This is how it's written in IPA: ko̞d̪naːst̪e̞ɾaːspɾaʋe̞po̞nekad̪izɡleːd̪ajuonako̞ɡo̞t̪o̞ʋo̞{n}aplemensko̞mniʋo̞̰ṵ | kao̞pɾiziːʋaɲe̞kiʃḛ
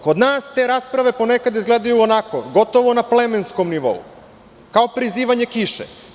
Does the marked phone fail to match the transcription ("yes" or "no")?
no